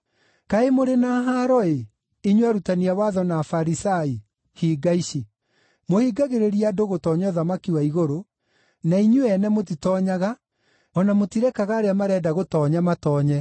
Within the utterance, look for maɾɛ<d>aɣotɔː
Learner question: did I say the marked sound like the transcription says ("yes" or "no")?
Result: yes